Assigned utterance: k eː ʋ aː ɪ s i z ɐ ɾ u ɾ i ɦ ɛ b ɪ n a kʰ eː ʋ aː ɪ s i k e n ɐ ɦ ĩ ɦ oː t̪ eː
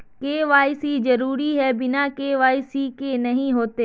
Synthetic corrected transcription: k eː ʋ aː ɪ s i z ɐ ɾ uː ɾ i ɦ ɛ b ɪ n a k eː ʋ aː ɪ s i k e n ɐ ɦ ĩ ɦ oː t̪ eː